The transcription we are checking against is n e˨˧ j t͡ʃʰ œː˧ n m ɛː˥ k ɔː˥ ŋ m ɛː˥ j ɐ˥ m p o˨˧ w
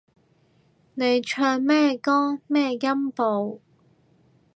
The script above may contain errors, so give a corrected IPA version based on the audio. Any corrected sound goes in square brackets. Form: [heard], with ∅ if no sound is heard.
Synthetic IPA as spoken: n e˨˧ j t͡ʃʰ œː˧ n m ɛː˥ k ɔː˥ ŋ m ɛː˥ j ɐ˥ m p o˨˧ w